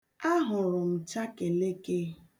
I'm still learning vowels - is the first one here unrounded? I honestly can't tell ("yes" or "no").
yes